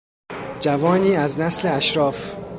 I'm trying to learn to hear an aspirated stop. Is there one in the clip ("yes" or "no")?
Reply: no